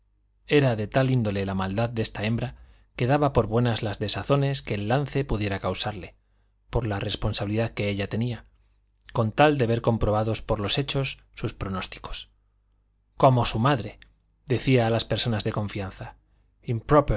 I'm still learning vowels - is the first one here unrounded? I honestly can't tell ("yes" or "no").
yes